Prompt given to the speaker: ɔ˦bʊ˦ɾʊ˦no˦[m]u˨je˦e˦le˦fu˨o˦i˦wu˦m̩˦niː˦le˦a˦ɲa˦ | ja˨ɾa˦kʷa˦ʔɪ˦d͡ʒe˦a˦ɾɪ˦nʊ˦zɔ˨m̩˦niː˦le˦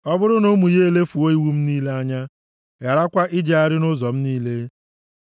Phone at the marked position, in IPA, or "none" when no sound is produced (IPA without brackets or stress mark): m